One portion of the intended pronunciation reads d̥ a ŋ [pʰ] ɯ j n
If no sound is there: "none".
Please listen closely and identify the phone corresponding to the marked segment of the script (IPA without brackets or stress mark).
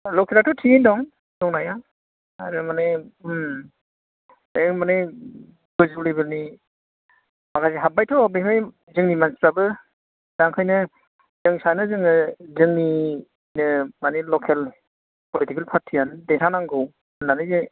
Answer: kʰ